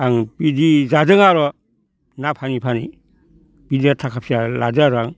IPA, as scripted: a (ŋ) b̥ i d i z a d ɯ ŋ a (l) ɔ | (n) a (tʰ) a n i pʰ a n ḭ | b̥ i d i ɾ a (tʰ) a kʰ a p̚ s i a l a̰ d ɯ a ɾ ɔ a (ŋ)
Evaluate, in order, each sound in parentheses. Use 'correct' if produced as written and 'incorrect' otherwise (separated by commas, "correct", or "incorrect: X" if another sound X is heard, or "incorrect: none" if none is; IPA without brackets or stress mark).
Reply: correct, incorrect: ɾ, correct, incorrect: pʰ, correct, correct